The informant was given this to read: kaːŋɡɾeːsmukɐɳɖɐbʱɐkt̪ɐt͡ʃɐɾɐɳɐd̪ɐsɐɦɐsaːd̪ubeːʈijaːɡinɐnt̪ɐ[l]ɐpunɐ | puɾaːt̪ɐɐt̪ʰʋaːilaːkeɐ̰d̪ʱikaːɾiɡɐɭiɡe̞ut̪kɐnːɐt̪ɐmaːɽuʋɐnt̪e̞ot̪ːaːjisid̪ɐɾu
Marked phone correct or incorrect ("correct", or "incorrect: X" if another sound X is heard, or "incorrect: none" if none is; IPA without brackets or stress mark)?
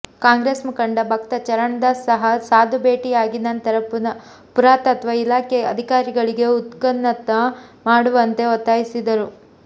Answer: incorrect: ɾ